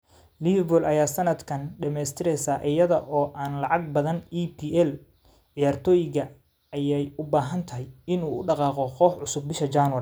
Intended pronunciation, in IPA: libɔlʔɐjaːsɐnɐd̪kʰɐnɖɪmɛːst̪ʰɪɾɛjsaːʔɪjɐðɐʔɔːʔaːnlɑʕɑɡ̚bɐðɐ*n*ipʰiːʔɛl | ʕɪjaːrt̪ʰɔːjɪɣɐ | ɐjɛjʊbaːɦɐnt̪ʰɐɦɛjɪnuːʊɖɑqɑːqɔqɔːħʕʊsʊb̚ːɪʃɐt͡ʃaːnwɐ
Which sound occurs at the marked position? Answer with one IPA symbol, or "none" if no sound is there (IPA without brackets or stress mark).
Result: n